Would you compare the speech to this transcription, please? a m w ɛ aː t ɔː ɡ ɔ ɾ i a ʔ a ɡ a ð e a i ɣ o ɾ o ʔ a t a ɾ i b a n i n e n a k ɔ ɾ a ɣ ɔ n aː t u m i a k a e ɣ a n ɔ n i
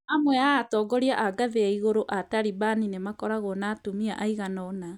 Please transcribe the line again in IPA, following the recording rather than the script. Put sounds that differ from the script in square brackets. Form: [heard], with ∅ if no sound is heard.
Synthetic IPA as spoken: a m w ɛ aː t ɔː ɡ ɔ ɾ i a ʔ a ɡ a ð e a i ɣ o ɾ o ʔ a t a ɾ i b a n i n e [m] a k ɔ ɾ a ɣ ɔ n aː t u m i a [ʔ] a [i] ɣ a n ɔ n [a]